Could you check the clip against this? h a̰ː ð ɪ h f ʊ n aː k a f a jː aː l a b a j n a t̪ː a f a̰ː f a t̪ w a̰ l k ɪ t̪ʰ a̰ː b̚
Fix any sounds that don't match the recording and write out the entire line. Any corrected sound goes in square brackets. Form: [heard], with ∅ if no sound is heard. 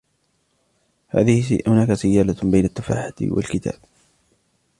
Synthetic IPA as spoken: h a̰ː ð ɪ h [h] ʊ n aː k a [s] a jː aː l a b a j n a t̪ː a f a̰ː [ħ] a t̪ w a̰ l k ɪ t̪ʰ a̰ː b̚

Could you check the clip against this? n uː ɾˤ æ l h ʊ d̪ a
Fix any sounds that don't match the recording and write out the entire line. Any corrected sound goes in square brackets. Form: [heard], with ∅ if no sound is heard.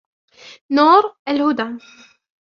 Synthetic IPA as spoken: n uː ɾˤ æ l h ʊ d̪ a

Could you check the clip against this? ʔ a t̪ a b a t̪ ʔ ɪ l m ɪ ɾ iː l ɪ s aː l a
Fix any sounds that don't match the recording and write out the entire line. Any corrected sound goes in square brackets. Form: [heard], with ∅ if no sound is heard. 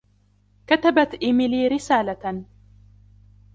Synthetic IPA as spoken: [k] a t̪ a b a t̪ ʔ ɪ [∅] m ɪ [l] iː [ɾ] ɪ s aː l a

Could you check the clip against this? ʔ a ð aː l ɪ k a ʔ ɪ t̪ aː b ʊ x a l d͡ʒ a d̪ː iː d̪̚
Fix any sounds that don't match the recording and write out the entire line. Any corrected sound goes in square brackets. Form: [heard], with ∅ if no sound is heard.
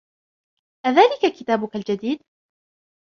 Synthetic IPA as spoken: ʔ a ð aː l ɪ k a [k] ɪ t̪ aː b ʊ [k] a l d͡ʒ a [d̪] iː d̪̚

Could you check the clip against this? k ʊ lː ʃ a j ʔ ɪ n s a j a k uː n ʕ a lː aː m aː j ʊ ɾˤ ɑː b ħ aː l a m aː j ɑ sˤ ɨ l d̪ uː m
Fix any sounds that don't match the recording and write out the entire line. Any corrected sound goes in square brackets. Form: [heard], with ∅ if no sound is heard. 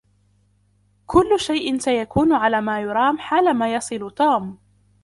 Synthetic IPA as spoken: k ʊ lː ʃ a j ʔ ɪ n s a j a k uː n ʕ a [l] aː m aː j ʊ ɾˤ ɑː [m] ħ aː l a m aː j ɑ sˤ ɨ l [t̪] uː m

